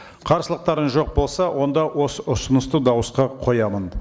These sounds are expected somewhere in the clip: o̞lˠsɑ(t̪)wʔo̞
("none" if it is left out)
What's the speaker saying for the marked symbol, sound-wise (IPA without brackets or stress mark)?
none